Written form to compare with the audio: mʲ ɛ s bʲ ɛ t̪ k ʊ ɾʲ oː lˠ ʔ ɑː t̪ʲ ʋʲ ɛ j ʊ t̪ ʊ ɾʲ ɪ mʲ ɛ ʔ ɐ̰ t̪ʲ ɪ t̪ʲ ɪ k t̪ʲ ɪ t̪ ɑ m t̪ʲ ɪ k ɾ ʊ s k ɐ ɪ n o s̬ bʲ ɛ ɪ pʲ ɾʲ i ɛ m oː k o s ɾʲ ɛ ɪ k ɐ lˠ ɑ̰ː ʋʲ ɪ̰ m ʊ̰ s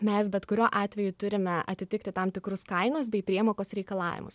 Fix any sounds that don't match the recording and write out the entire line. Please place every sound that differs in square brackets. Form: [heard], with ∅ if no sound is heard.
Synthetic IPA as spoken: mʲ ɛ s bʲ ɛ t̪ k ʊ ɾʲ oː [∅] ʔ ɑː t̪ʲ ʋʲ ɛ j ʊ t̪ ʊ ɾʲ ɪ mʲ ɛ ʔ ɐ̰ t̪ʲ ɪ t̪ʲ ɪ k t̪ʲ ɪ t̪ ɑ m t̪ʲ ɪ k ɾ ʊ s k ɐ ɪ n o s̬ bʲ ɛ ɪ pʲ ɾʲ i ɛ m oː k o s ɾʲ ɛ ɪ k ɐ lˠ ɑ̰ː ʋʲ ɪ̰ m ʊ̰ s